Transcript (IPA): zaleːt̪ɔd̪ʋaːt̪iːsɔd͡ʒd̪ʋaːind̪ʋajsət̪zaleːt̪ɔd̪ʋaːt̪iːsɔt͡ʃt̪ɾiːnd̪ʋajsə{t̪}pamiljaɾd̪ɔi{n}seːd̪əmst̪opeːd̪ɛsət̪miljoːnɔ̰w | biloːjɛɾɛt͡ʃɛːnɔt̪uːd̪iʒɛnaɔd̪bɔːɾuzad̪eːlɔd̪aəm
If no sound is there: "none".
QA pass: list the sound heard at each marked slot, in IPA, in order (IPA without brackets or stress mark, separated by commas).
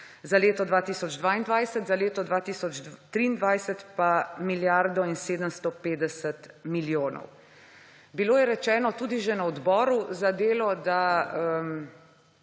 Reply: t̪, n